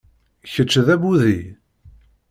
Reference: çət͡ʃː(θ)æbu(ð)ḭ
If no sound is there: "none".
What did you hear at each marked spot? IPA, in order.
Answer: ð, ð

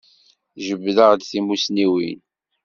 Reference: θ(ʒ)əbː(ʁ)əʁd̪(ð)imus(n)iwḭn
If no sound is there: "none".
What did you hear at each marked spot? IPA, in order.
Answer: ʒ, ð, θ, n

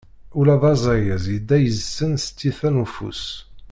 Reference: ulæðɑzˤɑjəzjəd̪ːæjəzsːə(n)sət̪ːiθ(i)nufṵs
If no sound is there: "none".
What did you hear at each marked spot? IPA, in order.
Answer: n, æ

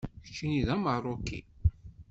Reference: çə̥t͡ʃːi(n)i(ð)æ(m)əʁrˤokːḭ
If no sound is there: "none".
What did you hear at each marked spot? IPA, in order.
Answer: n, ð, m

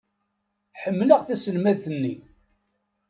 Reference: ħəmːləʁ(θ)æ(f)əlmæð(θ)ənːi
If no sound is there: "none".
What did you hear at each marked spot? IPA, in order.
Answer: θ, s, θ

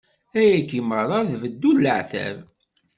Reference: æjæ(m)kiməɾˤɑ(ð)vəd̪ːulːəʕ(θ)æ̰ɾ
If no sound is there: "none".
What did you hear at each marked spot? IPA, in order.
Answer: none, ð, θ

